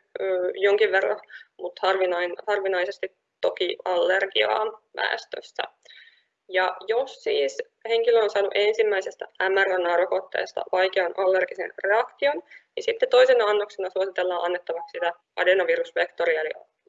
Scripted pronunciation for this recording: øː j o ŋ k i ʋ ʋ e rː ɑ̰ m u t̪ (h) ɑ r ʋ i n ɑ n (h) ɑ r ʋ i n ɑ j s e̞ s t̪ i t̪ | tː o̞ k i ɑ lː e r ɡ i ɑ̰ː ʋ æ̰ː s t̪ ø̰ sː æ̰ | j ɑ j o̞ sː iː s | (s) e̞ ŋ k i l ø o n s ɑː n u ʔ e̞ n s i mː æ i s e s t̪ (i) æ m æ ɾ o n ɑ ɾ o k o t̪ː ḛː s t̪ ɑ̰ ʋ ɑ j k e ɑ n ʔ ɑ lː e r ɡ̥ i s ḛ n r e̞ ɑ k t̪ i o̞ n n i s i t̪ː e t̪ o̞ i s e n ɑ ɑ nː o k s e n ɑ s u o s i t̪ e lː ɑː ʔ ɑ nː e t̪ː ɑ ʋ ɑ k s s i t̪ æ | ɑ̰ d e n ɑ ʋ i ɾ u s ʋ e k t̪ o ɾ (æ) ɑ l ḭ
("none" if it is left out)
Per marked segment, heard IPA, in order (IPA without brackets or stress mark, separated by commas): h, h, h, æ, i